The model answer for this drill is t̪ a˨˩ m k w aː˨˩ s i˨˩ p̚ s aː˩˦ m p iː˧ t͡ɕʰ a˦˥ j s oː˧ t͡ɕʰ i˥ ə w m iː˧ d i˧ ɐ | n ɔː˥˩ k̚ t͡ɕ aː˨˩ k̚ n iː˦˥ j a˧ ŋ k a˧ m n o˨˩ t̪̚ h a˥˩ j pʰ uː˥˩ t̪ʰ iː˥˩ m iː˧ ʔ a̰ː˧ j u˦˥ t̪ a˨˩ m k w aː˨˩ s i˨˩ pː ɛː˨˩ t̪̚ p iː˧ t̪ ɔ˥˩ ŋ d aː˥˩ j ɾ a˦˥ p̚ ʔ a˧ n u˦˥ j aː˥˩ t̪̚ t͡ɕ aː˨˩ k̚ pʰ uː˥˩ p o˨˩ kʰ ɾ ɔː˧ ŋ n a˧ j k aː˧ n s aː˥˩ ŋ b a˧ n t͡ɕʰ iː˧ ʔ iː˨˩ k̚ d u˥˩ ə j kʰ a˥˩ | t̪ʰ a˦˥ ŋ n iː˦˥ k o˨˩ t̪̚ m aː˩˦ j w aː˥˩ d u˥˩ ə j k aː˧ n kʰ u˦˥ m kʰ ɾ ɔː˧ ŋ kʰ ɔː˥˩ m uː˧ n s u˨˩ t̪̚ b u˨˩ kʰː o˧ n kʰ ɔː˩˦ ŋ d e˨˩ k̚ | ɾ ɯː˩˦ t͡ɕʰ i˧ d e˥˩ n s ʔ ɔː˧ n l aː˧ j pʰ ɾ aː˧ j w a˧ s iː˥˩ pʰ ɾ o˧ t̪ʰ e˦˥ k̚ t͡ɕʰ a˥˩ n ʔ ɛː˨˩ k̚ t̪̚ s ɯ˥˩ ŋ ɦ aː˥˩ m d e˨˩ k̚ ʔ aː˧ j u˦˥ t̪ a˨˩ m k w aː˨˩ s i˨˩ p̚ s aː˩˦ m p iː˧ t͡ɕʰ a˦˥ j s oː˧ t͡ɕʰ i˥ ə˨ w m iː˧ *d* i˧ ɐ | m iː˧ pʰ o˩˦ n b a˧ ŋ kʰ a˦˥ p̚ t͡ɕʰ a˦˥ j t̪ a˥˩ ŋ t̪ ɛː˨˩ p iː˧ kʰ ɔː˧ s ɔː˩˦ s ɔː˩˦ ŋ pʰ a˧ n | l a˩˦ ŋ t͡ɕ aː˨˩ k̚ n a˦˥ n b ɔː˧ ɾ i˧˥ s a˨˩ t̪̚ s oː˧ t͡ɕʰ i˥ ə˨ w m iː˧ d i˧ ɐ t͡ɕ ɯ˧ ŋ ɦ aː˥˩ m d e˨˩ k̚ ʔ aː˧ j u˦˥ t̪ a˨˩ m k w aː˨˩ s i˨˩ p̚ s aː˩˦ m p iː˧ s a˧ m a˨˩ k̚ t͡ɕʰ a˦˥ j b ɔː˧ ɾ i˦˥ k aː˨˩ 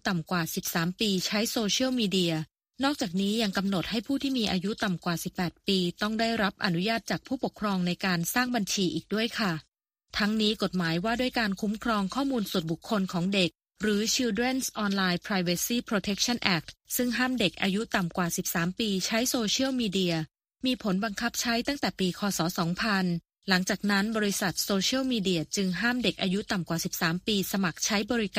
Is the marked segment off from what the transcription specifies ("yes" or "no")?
no